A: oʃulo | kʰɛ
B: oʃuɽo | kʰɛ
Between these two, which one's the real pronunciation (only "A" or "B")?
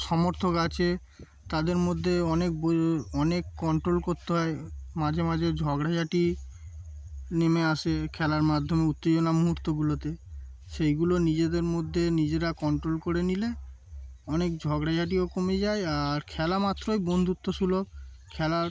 A